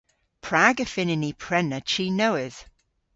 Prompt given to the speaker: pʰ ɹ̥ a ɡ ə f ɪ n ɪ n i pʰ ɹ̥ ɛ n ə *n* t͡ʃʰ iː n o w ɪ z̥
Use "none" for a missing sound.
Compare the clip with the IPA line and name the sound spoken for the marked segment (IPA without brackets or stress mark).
none